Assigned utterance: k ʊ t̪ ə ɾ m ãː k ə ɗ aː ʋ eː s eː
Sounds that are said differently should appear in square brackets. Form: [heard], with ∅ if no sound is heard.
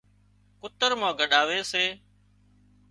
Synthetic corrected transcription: k ʊ t̪ ə ɾ m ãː [ɡ] ə ɗ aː ʋ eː s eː